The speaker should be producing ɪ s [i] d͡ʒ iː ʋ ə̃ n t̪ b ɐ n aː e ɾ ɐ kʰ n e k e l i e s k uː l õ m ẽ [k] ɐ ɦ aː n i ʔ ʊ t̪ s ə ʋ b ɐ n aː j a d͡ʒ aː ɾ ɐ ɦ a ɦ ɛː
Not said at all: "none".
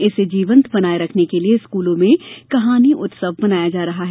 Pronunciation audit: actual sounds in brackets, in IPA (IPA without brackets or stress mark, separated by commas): e, k